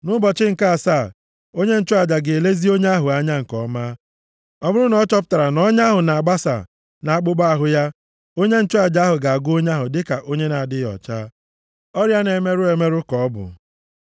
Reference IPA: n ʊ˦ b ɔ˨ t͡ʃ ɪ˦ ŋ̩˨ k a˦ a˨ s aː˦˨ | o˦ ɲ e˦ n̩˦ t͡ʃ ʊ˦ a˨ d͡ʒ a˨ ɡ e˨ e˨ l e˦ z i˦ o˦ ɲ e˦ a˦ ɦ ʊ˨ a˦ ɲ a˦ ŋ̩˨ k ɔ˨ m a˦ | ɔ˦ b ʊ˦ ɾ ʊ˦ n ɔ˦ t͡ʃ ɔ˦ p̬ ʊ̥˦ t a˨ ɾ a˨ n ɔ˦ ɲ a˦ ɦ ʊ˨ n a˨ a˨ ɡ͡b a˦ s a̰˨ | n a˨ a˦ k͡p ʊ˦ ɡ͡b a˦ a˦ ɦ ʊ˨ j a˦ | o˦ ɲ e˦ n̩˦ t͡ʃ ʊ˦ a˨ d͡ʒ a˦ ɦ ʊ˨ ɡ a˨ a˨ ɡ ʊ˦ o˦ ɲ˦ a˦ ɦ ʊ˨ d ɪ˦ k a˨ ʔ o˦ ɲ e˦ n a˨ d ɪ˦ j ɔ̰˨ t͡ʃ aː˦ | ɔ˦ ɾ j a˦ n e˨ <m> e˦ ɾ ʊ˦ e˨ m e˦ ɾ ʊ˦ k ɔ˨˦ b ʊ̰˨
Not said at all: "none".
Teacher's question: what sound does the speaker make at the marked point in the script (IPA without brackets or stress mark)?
m